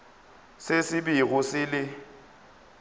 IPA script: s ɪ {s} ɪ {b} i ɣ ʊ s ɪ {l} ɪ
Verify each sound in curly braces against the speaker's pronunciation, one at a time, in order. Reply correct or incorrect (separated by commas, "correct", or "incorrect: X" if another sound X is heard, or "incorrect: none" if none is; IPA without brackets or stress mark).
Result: correct, correct, correct